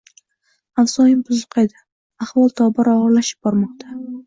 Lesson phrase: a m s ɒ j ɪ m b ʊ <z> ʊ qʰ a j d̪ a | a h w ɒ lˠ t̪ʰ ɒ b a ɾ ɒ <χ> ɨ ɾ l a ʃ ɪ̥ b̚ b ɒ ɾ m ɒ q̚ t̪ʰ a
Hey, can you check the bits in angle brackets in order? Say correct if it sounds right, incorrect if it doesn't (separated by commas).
correct, incorrect